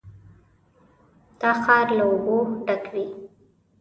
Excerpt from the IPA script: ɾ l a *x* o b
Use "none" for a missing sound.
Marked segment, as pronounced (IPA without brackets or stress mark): none